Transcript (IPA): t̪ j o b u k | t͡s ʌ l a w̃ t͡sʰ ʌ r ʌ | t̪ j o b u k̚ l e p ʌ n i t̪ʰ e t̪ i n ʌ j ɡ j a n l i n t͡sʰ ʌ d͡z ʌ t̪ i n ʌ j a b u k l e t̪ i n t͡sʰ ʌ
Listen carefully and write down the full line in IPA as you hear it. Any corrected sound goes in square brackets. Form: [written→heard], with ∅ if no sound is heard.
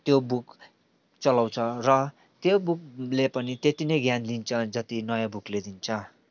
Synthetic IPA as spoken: t̪ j o b u k | t͡s ʌ l a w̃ t͡sʰ ʌ r ʌ | t̪ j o b u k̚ l e p ʌ n i [t̪ʰ→t̪] e t̪ i n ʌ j ɡ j a n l i n t͡sʰ ʌ d͡z ʌ t̪ i n ʌ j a b u k l e [t̪→d̪] i n t͡sʰ ʌ